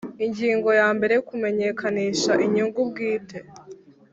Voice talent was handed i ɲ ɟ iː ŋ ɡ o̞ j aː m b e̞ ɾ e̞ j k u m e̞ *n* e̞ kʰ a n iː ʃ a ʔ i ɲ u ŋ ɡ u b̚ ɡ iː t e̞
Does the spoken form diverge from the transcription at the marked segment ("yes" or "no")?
yes